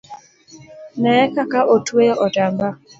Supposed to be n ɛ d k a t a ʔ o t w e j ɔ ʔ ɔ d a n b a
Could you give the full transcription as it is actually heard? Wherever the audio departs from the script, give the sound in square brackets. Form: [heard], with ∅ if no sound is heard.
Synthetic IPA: n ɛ [∅] k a [k] a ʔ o t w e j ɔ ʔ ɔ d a [m] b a